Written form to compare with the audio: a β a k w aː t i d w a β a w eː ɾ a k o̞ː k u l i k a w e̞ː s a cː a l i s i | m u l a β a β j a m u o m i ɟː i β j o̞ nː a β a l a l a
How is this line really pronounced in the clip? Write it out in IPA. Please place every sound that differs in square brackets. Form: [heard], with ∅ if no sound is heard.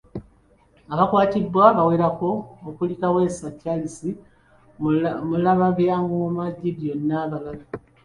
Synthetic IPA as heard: a β a k w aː t i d w a β a w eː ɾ a k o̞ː k u l i k a w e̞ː s a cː a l i s i | m u l a β a β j a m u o m [a] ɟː i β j o̞ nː a β a l a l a